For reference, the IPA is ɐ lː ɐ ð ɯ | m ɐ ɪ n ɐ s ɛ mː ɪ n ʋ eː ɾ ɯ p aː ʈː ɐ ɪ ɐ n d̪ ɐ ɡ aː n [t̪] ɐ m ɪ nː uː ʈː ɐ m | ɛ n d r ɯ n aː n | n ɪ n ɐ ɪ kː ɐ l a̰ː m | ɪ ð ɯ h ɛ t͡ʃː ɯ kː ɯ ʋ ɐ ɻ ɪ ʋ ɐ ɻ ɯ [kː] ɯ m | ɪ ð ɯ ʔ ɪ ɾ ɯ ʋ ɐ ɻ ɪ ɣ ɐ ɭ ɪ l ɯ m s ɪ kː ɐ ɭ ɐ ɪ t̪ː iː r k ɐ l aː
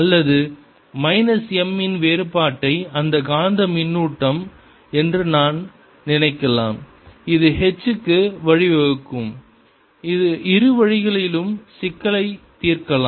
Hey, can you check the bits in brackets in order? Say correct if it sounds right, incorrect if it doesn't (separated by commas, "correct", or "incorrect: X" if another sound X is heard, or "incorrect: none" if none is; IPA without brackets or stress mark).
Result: incorrect: d̪, correct